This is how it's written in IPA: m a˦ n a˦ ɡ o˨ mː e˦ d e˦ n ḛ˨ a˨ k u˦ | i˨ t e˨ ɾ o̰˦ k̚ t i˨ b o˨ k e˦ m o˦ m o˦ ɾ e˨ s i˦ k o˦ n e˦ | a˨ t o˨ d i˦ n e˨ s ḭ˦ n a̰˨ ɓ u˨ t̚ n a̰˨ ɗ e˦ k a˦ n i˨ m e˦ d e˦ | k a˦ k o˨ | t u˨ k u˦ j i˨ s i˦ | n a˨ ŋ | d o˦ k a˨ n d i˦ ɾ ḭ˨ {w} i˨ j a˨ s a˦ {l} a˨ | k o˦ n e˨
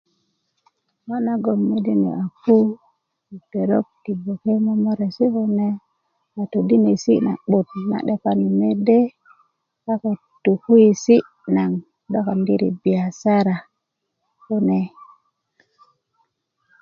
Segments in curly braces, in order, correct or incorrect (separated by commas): incorrect, incorrect